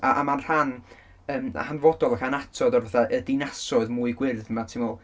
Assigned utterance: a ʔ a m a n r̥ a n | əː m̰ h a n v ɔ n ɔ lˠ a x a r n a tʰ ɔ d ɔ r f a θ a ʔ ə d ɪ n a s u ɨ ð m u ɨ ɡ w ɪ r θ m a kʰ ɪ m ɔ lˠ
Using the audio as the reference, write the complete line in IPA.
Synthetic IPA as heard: a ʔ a m a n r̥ a n | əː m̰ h a n v ɔ d ɔ lˠ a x a n a tʰ ɔ d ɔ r v a θ a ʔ ə d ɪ n a s ɔ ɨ ð m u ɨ ɡ w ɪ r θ m a tʰ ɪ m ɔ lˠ